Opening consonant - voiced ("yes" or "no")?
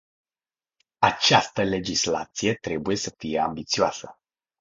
no